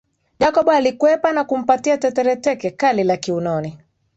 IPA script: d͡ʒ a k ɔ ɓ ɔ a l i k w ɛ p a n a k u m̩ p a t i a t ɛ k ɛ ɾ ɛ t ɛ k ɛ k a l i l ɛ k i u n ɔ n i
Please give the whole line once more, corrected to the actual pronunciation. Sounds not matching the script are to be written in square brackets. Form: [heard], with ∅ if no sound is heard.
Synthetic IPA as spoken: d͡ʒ a k ɔ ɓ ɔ a l i k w ɛ p a n a k u m̩ p a t i a t ɛ [t] ɛ ɾ ɛ t ɛ k ɛ k a l i l [a] k i u n ɔ n i